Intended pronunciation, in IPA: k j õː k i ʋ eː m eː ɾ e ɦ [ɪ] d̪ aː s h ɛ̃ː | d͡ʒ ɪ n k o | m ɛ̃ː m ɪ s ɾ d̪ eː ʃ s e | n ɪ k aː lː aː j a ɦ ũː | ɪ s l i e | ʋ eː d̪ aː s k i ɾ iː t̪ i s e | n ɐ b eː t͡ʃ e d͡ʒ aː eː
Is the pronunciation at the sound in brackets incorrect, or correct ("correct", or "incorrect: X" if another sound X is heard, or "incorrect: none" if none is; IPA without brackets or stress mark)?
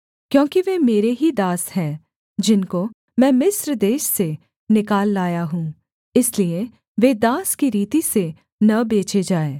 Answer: incorrect: i